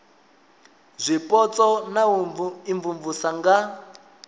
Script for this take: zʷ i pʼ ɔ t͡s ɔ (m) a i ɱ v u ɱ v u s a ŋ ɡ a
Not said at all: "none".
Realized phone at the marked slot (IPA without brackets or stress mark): n